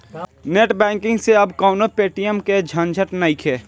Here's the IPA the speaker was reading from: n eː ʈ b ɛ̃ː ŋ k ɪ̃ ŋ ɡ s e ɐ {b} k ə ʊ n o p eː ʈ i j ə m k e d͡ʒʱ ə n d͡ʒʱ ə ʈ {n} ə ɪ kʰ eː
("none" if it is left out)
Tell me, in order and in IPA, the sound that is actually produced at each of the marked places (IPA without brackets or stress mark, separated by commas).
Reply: b, n